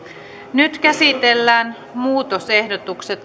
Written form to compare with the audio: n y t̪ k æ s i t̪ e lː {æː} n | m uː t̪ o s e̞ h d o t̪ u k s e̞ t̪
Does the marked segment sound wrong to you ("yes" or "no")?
no